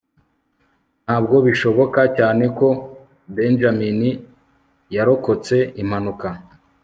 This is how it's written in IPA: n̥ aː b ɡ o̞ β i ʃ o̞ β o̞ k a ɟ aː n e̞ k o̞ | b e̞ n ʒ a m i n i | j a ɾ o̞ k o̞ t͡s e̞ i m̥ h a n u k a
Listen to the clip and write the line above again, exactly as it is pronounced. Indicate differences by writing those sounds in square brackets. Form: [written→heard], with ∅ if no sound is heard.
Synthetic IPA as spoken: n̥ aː b ɡ o̞ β i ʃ o̞ β o̞ k a [ɟ→c] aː n e̞ k o̞ | b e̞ n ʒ a m i n i | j a ɾ o̞ k o̞ t͡s e̞ i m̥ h a n u k a